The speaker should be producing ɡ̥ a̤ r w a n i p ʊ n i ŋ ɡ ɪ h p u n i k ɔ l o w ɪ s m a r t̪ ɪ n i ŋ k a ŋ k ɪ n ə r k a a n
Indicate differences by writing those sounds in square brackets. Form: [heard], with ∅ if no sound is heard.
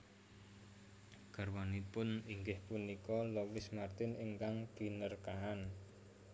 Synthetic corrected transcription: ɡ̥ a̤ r w a n i p ʊ n i ŋ ɡ ɪ h p u n i k ɔ l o w ɪ s m a r t̪ ɪ n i ŋ k a ŋ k [i] n ə r k a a n